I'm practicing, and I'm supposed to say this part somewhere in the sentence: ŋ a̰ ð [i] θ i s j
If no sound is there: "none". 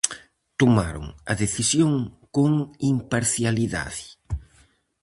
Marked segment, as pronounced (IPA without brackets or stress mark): e